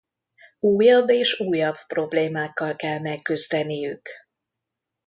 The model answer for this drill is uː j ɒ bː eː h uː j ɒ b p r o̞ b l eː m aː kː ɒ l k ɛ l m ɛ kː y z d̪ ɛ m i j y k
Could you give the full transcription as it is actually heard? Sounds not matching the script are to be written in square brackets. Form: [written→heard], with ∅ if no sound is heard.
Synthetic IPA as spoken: uː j ɒ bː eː [h→ʃ] uː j ɒ b p r o̞ b l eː m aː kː ɒ l k ɛ l m ɛ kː y z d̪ ɛ [m→n] i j y k